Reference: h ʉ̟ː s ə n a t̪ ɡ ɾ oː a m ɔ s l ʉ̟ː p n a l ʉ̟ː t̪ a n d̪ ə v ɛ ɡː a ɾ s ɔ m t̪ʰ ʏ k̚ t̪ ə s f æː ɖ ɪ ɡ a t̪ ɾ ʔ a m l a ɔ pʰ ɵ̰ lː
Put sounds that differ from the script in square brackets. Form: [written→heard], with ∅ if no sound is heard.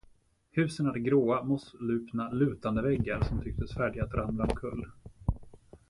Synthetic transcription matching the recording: h ʉ̟ː s ə n a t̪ ɡ ɾ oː a m ɔ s l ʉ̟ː p n a l ʉ̟ː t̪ a n d̪ ə v ɛ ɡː a ɾ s ɔ m t̪ʰ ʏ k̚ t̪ ə s f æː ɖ ɪ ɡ a t̪ ɾ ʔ a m l a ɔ [pʰ→kʰ] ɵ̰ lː